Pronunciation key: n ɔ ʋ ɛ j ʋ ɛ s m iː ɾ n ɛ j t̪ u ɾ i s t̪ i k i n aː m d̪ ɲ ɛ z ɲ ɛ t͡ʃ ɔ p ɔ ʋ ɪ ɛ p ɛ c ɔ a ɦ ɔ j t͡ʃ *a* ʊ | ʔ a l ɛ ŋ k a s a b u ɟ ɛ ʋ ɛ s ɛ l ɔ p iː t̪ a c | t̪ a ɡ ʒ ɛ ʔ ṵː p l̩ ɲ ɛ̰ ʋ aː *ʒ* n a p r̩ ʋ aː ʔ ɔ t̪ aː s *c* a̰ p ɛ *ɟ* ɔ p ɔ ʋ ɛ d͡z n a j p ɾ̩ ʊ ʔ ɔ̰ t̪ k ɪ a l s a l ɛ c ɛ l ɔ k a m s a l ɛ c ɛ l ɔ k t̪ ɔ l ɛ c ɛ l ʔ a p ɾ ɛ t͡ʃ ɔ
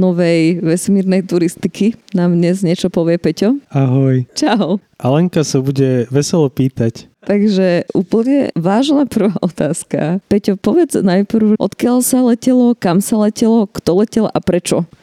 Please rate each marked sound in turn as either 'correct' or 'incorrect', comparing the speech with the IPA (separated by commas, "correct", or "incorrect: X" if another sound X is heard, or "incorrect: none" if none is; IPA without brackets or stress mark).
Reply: correct, correct, incorrect: k, incorrect: c